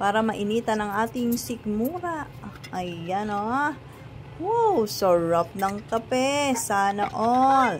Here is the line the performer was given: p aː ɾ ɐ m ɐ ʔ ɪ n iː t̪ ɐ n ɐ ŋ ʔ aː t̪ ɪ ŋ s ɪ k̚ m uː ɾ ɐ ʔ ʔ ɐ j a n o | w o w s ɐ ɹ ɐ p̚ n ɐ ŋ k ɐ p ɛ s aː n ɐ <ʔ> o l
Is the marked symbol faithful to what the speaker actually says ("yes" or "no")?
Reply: yes